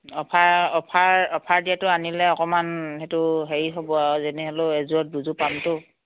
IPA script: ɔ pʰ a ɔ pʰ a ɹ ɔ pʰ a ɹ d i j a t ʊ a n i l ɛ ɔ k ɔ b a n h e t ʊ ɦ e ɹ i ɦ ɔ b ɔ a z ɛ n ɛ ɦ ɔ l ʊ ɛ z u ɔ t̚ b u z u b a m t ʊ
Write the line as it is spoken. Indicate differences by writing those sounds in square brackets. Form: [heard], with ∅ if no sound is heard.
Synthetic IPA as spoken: ɔ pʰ a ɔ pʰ a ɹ ɔ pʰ a ɹ d i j a t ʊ a n i l ɛ ɔ k ɔ [m] a n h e t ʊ ɦ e ɹ i ɦ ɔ b ɔ a z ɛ n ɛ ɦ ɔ l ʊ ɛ z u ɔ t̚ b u z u [p] a m t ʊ

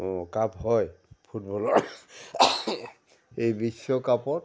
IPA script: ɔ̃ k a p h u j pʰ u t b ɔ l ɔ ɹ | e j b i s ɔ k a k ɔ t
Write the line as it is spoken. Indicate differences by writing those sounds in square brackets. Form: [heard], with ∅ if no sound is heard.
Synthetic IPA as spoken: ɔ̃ k a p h [ɔ] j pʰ u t b ɔ l ɔ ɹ | e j b i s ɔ k a [p] ɔ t

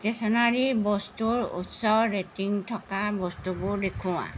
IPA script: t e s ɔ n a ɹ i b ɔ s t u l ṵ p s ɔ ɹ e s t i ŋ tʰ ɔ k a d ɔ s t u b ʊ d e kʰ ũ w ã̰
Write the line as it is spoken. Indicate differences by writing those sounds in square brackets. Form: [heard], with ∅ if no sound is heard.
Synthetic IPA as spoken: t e s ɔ n a ɹ i b ɔ s t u [ɹ] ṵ [t] s ɔ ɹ e [∅] t i ŋ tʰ ɔ k a [b] ɔ s t u b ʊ d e kʰ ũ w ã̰

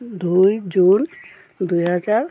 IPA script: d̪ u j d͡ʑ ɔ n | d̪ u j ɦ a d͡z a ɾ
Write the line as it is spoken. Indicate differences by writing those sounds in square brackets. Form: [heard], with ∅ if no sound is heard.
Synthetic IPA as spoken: d̪ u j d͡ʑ [u] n | d̪ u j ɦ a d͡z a ɾ

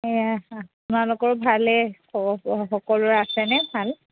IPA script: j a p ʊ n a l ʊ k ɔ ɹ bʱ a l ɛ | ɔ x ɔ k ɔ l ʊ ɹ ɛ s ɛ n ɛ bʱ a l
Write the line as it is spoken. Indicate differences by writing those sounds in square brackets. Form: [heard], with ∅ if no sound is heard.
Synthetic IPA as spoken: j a p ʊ n a l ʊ k ɔ ɹ bʱ a l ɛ | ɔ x ɔ k ɔ l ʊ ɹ [a] s ɛ n ɛ bʱ a l

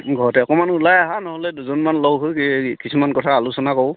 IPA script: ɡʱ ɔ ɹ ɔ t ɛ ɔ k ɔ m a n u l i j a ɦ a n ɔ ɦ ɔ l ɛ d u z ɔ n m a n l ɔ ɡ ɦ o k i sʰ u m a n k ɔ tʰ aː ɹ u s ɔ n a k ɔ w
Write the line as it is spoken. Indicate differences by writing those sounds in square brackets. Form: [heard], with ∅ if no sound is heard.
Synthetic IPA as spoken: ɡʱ ɔ ɹ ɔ t ɛ ɔ k ɔ m a n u l [a] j a ɦ a n ɔ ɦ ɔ l ɛ d u z ɔ n m a n l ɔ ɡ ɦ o k i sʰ u m a n k ɔ tʰ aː [l] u s ɔ n a k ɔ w

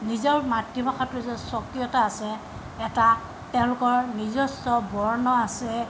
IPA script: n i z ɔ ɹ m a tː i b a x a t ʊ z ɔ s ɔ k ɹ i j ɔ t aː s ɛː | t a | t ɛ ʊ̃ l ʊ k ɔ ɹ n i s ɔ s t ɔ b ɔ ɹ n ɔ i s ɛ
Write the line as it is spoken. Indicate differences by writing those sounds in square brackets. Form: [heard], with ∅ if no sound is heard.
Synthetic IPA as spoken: n i z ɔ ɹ m a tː i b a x a t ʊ z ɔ s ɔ k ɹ i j ɔ t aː s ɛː | t a | t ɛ ʊ̃ l ʊ k ɔ ɹ n i [z] ɔ s t ɔ b ɔ ɹ n ɔ [a] s ɛ

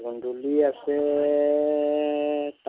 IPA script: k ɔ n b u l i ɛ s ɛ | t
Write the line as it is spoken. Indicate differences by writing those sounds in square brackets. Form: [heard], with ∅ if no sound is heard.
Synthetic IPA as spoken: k [u] n [d] u l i [a] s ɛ | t

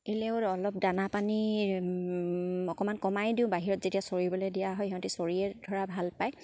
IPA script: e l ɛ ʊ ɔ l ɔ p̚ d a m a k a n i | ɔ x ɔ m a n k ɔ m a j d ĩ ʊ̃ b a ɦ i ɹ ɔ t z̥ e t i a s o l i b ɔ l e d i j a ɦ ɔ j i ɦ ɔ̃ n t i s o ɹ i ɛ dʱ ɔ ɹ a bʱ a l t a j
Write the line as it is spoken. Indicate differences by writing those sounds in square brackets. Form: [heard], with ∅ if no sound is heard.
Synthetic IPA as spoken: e l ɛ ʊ ɔ l ɔ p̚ d a [n] a [p] a n i | ɔ [k] ɔ m a n k ɔ m a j d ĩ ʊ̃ b a ɦ i ɹ ɔ t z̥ e t i a s o [ɹ] i b ɔ l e d i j a ɦ ɔ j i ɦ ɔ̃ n t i s o ɹ i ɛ dʱ ɔ ɹ a bʱ a l [p] a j

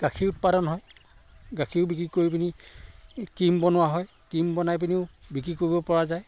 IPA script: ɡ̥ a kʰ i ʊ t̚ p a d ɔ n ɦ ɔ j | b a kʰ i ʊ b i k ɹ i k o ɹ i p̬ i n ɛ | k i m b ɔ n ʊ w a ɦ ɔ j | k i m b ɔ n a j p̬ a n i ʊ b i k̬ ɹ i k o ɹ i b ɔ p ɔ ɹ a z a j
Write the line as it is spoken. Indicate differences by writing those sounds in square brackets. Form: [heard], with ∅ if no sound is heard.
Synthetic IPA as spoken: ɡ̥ a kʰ i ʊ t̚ p a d ɔ n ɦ ɔ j | [ɡ] a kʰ i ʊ b i k ɹ i k o ɹ i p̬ i n [i] | k i m b ɔ n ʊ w a ɦ ɔ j | k i m b ɔ n a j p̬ [i] n i ʊ b i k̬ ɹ i k o ɹ i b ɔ p ɔ ɹ a z a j

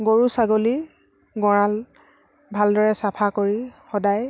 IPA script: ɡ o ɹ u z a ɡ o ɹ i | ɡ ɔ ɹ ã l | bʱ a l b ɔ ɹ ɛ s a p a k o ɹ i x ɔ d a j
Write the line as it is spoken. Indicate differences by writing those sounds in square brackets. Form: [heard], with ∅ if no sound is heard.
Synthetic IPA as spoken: ɡ o ɹ u [s] a ɡ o [l] i | ɡ ɔ ɹ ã l | bʱ a l [d] ɔ ɹ ɛ s a [pʰ] a k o ɹ i x ɔ d a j

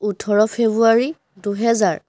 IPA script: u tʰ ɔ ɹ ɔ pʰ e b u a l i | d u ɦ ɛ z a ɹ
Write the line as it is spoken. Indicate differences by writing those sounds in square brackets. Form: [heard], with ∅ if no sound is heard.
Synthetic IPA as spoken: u tʰ ɔ ɹ ɔ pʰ e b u a [ɹ] i | d u ɦ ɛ z a ɹ

